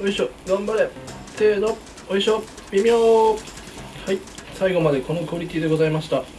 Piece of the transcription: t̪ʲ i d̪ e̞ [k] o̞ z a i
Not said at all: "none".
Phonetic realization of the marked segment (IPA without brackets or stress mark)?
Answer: ɡ